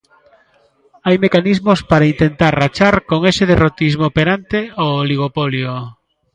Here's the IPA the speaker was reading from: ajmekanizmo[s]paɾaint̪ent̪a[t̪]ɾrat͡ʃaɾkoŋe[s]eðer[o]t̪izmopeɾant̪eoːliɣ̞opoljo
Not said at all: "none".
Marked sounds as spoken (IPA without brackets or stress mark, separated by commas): s, none, s, o